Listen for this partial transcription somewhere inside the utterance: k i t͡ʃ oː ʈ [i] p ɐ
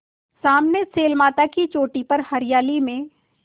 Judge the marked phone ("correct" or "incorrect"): correct